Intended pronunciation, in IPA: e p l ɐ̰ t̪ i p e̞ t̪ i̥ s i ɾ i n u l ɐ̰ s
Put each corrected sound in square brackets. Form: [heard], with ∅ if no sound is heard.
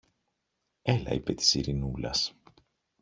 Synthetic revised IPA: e [∅] l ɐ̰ [∅] i p e̞ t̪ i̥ s i ɾ i n u l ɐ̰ s